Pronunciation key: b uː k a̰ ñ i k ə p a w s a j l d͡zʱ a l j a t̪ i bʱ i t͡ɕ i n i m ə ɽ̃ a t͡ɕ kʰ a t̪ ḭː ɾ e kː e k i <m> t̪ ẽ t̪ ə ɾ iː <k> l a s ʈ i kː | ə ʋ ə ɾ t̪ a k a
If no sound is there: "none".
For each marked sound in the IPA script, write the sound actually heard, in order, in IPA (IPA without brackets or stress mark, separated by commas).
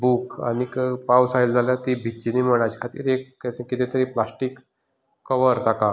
none, p